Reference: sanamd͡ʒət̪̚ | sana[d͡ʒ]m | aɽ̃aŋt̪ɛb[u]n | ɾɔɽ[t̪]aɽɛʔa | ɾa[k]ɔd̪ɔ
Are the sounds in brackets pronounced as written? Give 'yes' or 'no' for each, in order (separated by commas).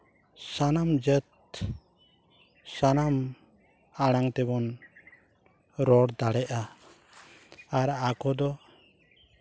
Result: no, no, no, yes